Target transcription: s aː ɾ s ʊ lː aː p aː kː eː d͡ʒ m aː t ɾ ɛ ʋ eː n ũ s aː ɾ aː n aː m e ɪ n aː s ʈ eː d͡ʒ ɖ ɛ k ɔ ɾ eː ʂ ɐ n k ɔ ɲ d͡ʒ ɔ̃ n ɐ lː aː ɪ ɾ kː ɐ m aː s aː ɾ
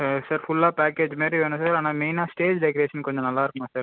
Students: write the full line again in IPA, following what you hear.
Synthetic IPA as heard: s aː ɾ f ʊ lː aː p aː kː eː d͡ʒ m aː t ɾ i ʋ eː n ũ s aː ɾ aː n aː m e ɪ n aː s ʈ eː d͡ʒ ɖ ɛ k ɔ ɾ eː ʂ ɐ n k ɔ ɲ d͡ʒ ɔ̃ n ɐ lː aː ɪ ɾ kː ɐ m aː s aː ɾ